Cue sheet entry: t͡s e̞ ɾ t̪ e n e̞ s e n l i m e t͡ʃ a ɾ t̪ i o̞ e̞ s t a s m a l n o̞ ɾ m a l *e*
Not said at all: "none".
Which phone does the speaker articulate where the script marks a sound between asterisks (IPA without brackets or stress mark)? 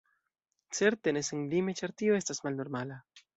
a